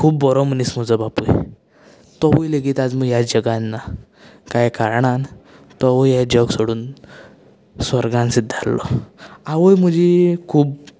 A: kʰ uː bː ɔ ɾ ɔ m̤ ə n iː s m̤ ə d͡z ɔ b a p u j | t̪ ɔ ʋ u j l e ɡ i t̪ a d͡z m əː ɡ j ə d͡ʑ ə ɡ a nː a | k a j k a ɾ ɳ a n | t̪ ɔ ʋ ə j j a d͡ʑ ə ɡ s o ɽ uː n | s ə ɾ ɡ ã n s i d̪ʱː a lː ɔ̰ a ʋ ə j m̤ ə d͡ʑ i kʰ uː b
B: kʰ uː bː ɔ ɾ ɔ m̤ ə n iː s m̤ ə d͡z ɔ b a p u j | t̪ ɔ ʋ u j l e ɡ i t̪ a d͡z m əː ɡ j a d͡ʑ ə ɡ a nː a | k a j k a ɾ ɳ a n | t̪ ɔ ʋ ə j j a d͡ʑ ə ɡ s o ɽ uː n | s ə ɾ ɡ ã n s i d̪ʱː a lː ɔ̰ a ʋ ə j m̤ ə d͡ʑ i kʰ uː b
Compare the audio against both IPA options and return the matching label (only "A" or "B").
B